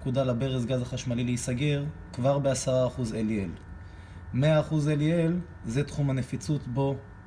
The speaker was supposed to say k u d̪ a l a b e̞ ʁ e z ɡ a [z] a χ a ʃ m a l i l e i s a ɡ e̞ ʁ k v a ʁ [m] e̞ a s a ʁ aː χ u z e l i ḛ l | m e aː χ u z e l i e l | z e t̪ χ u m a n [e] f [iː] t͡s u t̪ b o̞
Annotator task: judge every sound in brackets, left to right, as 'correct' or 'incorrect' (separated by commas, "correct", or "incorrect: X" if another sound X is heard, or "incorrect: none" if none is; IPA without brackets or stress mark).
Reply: correct, incorrect: b, correct, incorrect: i